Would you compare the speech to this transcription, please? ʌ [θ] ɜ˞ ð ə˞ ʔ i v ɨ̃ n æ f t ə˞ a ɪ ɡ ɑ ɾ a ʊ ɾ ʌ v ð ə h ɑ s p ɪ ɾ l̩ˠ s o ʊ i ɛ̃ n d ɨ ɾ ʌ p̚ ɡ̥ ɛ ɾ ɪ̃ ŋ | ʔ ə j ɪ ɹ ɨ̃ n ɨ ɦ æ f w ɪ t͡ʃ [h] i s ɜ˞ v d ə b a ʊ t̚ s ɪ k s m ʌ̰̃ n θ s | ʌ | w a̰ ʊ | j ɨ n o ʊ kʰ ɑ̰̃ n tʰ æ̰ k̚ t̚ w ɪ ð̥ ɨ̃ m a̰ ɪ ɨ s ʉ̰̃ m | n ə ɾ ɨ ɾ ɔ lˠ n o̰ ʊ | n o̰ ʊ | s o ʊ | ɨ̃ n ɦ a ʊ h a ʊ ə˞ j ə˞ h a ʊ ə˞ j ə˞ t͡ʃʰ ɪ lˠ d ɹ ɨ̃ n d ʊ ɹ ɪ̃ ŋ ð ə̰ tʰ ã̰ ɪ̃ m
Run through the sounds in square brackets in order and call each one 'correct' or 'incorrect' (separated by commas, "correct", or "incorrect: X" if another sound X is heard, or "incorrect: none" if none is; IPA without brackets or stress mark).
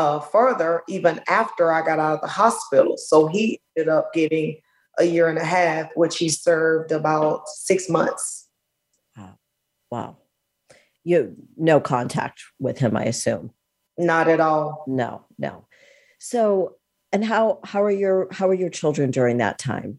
incorrect: f, correct